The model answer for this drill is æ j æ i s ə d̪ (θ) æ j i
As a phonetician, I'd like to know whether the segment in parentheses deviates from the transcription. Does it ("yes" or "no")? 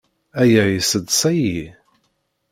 yes